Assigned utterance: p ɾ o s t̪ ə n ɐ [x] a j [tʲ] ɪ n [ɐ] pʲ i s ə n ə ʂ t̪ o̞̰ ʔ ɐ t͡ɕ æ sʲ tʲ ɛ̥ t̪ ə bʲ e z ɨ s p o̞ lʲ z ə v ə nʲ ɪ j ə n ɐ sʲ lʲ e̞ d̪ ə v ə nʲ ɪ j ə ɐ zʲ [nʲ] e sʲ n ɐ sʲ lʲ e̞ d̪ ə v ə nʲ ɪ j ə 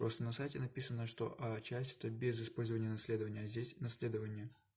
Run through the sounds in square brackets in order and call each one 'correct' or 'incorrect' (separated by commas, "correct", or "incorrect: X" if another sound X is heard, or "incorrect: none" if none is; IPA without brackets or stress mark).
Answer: incorrect: s, correct, correct, incorrect: dʲ